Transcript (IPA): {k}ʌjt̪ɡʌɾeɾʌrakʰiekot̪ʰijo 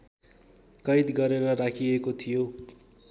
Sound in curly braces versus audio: correct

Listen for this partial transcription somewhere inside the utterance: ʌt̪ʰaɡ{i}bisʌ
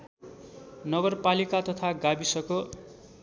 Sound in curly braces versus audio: incorrect: a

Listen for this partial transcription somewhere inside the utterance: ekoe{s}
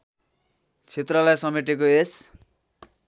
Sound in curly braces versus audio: correct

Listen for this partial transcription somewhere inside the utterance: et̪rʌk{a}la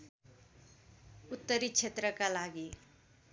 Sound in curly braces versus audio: correct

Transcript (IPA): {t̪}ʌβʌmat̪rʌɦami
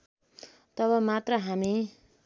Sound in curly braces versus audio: correct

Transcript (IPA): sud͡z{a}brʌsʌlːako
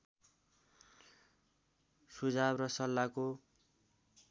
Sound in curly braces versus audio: correct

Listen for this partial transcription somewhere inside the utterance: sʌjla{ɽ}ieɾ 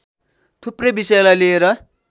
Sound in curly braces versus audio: incorrect: l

